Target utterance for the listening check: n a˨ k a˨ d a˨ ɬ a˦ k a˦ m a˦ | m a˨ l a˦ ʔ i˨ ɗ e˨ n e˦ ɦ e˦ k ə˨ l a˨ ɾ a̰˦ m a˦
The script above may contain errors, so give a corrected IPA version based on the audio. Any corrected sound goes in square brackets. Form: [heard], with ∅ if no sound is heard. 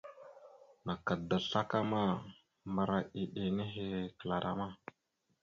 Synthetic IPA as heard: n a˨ k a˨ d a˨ ɬ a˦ k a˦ m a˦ | m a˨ [ɾ] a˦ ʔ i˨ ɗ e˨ n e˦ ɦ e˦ k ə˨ l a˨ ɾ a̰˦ m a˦